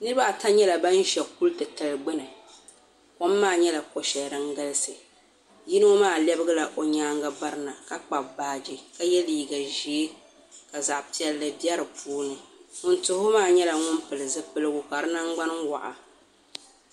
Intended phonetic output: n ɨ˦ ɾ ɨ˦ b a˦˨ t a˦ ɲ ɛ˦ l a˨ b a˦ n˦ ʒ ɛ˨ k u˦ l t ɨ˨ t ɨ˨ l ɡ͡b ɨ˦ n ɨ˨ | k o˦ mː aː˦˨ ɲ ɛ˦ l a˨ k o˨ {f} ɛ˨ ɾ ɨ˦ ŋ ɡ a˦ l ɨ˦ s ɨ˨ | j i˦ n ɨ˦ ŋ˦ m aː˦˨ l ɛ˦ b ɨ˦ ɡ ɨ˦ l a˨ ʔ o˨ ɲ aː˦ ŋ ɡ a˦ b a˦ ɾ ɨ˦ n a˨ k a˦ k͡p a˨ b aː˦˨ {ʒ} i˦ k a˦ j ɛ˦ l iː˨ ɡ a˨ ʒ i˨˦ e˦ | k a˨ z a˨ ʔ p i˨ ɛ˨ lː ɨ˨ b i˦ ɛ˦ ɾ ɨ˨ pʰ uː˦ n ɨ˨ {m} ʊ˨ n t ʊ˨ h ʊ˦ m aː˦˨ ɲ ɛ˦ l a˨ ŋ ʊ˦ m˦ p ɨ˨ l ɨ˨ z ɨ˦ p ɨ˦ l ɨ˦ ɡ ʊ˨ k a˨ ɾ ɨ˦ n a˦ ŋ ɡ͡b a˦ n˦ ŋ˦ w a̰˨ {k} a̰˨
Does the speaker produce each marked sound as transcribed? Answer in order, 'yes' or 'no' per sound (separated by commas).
no, no, no, no